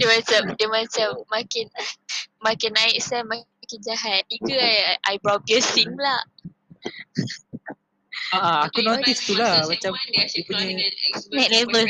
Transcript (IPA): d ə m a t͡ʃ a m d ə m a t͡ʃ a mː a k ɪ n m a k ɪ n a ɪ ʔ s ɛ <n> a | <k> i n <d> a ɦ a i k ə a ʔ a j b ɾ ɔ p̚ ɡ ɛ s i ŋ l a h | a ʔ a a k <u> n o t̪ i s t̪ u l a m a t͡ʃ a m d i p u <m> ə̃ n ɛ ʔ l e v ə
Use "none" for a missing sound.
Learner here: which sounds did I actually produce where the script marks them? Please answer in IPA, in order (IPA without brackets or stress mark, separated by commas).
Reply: m, k, d͡ʒ, u, ɲ